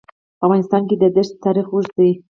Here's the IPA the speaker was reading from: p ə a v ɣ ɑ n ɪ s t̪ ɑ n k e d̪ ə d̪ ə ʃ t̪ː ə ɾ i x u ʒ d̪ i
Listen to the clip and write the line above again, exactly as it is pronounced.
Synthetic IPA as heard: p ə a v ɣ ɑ n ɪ s t̪ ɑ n k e d̪ ə d̪ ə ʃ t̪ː ɑ ɾ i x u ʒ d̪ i

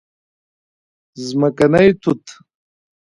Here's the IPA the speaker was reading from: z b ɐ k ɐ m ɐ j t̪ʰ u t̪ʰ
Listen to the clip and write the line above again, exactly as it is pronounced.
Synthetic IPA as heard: z m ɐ k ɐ n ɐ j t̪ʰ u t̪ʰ

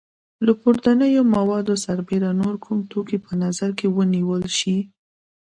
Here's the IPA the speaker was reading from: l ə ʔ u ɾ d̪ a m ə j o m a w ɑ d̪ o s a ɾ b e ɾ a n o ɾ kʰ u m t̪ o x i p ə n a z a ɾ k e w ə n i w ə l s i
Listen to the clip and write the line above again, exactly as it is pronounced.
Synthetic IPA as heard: l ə p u ɾ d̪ a n ə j o m a w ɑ d̪ o s a ɾ b e ɾ a n o ɾ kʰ u m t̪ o k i p ə n a z a ɾ k e w ə n i w ə l ʃ i

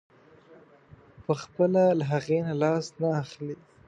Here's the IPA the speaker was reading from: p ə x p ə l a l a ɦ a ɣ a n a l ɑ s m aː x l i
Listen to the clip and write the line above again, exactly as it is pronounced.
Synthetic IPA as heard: p ə x p ə l a l a ɦ a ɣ e n a l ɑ s n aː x l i

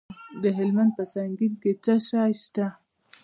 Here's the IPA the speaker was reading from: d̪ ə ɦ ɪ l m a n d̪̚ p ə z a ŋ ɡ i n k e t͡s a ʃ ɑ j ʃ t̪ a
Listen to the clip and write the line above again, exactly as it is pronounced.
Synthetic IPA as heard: d̪ ə ɦ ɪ l m a n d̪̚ p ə s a ŋ ɡ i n k e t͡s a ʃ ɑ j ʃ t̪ a

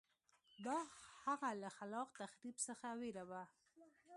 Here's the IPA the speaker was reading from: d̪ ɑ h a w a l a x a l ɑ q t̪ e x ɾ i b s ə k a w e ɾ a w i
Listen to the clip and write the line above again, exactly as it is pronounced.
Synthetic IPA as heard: d̪ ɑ h a ɣ a l a x a l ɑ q t̪ a x ɾ i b s ə x a w e ɾ a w a

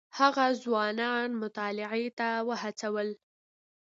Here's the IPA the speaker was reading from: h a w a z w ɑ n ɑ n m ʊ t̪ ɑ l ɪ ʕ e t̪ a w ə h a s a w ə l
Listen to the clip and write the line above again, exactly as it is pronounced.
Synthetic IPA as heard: h a ɣ a z w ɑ n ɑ n m ʊ t̪ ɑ l ɪ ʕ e t̪ a w ə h a t͡s a w ə l

